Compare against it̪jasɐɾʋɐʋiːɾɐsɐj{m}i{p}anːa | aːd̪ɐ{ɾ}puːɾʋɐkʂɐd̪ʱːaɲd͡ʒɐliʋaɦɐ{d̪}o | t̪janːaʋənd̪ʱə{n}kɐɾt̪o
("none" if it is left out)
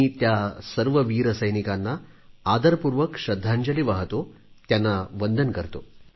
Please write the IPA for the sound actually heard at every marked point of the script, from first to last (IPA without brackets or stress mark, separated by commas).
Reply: n, k, ɾ, t̪, n